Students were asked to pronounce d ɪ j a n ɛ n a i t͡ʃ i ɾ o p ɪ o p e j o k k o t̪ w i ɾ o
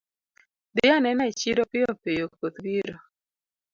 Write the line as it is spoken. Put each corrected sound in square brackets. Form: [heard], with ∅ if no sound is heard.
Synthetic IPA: d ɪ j a n ɛ n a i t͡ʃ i ɾ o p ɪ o p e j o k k o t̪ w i ɾ o